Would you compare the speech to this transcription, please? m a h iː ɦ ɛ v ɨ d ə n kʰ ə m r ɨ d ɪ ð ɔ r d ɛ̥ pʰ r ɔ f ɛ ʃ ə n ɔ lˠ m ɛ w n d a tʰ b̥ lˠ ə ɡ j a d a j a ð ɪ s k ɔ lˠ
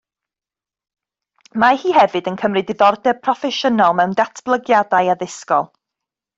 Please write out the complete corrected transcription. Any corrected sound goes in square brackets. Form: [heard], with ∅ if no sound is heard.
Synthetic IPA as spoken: m a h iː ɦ ɛ v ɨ d ə n kʰ ə m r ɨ d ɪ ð ɔ r d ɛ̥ pʰ r ɔ f ɛ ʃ ə n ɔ lˠ m ɛ w n d a tʰ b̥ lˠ ə ɡ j a d a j a ð ɪ s k ɔ lˠ

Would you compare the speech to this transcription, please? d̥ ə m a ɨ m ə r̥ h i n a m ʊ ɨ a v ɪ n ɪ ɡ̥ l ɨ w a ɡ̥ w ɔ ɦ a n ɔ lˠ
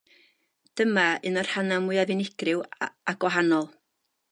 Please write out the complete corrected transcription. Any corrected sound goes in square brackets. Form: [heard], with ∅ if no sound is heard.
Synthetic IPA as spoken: d̥ ə m a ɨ [n] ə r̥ h [a] n a m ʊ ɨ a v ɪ n ɪ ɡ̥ [r] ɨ w a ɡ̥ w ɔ ɦ a n ɔ lˠ

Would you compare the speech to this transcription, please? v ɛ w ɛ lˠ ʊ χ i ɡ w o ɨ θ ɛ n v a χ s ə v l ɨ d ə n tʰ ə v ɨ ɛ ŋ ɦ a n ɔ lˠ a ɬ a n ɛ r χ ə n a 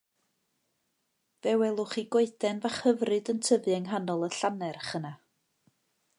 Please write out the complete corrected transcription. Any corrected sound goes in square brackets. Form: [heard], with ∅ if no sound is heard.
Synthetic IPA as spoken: v ɛ w ɛ lˠ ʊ χ i ɡ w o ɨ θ ɛ n v a χ [h] ə v [r] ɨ d ə n tʰ ə v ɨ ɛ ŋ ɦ a n ɔ lˠ [ə] ɬ a n ɛ r χ ə n a

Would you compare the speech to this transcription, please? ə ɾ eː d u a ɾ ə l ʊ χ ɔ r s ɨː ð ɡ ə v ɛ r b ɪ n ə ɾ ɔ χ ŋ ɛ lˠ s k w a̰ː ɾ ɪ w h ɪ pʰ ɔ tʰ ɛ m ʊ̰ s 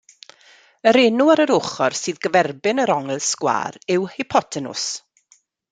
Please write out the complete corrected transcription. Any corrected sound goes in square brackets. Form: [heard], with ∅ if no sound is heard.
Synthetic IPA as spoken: ə ɾ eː [n] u a ɾ ə [ɾ] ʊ χ ɔ r s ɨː ð ɡ ə v ɛ r b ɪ n ə ɾ ɔ [∅] ŋ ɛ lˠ s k w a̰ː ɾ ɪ w h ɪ pʰ ɔ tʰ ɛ [n] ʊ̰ s

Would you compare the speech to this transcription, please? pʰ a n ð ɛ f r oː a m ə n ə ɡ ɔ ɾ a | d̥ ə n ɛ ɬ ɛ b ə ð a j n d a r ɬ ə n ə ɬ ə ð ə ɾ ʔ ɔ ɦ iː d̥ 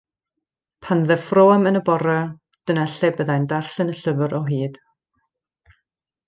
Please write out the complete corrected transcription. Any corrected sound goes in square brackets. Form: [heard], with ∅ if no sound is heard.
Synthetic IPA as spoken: pʰ a n ð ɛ f r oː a m ə n ə [b] ɔ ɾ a | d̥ ə n ɛ ɬ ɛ b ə ð a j n d a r ɬ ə n ə ɬ ə [v] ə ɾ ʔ ɔ ɦ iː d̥

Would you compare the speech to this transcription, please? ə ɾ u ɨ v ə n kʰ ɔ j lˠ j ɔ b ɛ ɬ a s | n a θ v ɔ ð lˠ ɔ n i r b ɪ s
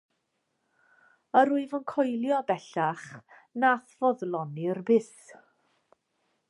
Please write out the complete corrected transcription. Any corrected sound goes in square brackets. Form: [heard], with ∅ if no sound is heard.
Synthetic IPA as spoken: ə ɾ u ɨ v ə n kʰ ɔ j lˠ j ɔ b ɛ ɬ a [χ] | n a θ v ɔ ð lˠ ɔ n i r b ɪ s

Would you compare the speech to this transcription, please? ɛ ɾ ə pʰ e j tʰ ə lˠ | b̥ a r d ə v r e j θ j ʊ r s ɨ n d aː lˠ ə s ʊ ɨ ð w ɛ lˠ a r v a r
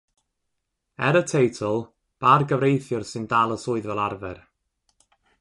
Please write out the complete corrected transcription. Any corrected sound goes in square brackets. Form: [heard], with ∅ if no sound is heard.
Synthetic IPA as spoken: ɛ ɾ ə [tʰ] e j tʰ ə lˠ | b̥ a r [ɡ] ə v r e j θ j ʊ r s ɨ n d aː lˠ ə s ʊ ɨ ð [v] ɛ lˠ a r v [ɛ] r

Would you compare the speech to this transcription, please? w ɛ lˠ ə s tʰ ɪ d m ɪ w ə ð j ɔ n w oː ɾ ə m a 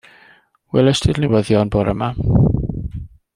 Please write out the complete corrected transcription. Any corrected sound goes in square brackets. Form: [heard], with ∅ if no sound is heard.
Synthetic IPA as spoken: w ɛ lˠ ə s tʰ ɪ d [n] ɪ w ə ð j ɔ n [b] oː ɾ ə m a

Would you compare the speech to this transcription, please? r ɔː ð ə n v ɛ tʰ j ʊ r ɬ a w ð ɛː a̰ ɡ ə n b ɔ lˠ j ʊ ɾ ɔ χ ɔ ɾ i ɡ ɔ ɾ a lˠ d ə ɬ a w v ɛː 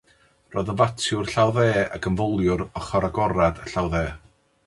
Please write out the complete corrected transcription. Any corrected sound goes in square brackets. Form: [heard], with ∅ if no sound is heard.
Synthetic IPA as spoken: r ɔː ð ə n v [a] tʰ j ʊ r ɬ a w ð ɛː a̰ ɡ ə n [v] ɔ lˠ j ʊ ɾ ɔ χ ɔ ɾ [a] ɡ ɔ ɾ a [∅] d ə ɬ a w [ð] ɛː

